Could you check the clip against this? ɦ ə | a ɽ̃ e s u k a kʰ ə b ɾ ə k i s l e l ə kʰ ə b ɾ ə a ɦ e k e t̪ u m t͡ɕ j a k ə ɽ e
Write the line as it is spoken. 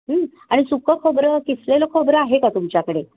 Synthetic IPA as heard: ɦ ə | a ɽ̃ i s u k ə kʰ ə b ɾ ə k i s l e l ə kʰ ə b ɾ ə a ɦ e k a t̪ u m t͡ɕ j a k ə ɽ e